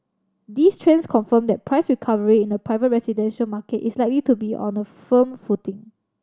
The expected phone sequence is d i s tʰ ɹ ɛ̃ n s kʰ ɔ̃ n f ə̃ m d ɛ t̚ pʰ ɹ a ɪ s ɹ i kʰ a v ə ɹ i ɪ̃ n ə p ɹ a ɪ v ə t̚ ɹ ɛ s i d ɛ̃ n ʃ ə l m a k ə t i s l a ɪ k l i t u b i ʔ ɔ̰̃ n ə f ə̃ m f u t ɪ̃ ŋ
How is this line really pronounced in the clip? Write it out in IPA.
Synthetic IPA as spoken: d i s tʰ ɹ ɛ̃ n s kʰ ɔ̃ n f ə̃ m d ɛ t̚ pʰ ɹ a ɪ s ɹ i kʰ a v ə ɹ i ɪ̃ n ə p ɹ a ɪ v ə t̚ ɹ ɛ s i d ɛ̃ n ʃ ə l m a k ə t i s l a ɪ k l i t u b i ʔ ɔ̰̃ n ə f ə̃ m f u t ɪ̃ ŋ